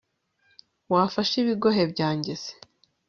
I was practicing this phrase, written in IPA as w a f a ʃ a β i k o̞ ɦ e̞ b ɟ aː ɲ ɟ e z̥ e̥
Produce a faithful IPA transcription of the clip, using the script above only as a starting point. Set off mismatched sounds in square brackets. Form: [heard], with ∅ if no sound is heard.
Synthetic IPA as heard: w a f a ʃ [i] β i [ɡ] o̞ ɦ e̞ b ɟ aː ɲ ɟ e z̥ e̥